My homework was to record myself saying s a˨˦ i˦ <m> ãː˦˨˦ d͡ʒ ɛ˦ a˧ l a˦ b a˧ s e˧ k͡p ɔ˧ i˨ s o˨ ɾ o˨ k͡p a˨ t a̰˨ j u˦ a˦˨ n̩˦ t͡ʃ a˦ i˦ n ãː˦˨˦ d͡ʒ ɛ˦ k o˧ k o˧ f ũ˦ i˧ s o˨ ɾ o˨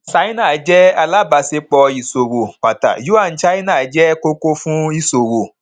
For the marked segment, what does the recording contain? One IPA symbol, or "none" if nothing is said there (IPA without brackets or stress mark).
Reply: n